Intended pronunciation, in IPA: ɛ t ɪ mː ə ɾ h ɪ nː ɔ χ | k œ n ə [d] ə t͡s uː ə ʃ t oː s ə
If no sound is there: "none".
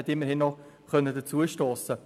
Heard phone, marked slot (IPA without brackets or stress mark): d